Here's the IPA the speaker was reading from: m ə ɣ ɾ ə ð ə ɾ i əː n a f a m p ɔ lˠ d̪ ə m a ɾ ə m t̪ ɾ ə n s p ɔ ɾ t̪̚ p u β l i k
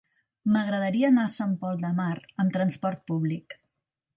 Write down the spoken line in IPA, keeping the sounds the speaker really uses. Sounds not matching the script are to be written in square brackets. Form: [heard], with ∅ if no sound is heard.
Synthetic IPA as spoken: m ə ɣ ɾ ə ð ə ɾ i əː n a [s] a m p ɔ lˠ d̪ ə m a ɾ ə m t̪ ɾ ə n s p ɔ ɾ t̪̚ p u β l i k